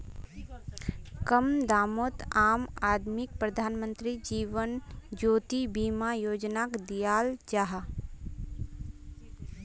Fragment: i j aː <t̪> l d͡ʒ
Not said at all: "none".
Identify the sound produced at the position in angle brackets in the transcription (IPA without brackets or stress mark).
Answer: none